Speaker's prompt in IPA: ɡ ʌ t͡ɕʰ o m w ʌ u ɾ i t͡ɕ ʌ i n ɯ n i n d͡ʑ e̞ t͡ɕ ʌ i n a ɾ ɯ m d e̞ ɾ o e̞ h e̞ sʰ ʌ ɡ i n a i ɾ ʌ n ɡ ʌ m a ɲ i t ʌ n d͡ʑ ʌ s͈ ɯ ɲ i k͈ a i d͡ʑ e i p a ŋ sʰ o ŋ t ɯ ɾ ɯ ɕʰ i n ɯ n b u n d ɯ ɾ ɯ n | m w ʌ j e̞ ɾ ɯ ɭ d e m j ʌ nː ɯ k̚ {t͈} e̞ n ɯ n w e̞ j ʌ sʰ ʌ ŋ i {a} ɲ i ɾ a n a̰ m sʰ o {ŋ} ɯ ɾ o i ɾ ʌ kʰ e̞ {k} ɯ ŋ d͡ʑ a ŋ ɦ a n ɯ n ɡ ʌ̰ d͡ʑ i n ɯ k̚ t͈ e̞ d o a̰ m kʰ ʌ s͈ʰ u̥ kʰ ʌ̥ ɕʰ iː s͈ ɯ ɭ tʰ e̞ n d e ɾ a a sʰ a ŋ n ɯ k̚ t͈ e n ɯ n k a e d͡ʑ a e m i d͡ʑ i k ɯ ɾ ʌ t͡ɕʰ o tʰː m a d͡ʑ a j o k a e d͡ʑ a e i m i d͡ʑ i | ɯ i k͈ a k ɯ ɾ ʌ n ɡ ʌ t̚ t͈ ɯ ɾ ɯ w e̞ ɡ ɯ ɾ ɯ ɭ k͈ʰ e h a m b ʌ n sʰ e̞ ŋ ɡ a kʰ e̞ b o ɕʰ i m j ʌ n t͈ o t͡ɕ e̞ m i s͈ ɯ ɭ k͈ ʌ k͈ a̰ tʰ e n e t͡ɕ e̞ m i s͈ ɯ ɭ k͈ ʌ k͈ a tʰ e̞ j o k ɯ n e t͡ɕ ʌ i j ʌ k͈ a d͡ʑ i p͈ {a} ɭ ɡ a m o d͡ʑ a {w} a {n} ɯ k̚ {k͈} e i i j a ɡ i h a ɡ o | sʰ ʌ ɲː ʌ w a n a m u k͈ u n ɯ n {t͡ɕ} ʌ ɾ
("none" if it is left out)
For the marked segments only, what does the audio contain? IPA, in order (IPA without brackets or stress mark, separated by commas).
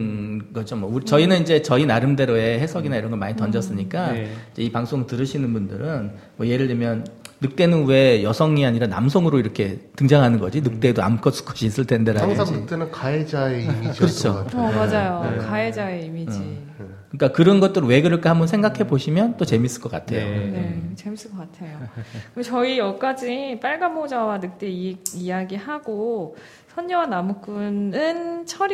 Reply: t͈, a, ŋ, t, a, w, n, t͈, t͡ɕʰ